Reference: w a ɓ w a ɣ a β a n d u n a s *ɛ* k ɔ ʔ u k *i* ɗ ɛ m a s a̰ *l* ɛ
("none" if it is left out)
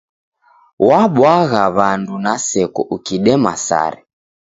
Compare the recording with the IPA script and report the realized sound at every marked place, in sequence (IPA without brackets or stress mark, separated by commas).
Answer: ɛ, i, ɾ